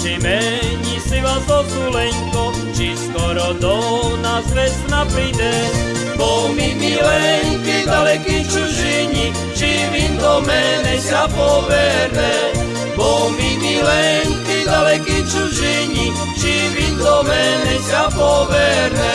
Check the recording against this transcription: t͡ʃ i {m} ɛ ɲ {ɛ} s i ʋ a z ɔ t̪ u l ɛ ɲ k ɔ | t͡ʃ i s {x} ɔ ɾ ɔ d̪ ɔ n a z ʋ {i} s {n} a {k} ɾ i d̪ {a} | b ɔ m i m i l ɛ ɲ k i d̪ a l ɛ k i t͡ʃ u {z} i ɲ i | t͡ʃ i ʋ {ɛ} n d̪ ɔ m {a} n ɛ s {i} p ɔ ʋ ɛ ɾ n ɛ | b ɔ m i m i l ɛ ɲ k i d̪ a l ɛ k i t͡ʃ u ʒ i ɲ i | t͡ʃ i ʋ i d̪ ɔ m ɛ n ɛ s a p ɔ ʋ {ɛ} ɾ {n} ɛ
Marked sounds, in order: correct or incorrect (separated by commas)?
correct, incorrect, incorrect, incorrect, correct, incorrect, incorrect, incorrect, incorrect, incorrect, incorrect, correct, correct